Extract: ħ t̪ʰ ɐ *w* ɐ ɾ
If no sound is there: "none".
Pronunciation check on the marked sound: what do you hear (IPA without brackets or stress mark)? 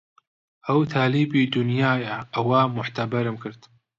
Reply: b